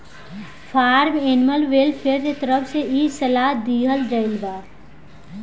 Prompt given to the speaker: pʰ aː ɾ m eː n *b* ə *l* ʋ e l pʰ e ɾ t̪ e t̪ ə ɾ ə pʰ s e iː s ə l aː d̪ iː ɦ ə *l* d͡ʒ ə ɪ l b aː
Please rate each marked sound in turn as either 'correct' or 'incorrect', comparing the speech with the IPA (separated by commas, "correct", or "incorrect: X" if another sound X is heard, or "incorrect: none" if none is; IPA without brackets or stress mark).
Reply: incorrect: m, correct, correct